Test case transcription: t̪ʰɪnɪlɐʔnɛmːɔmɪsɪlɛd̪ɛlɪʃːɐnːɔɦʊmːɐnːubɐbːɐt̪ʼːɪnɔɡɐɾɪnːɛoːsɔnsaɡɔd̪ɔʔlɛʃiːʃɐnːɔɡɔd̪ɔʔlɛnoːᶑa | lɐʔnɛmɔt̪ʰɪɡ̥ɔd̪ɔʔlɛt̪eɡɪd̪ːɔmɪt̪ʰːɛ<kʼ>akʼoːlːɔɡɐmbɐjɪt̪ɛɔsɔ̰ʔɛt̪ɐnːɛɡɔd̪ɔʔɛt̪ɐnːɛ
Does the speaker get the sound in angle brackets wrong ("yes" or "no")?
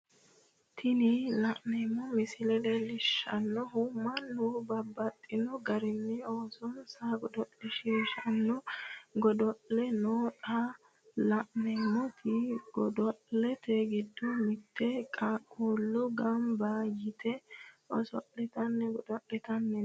no